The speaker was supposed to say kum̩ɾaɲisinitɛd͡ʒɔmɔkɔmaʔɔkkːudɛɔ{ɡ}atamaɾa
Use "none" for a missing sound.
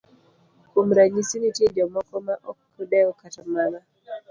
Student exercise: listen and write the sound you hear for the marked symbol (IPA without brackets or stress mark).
k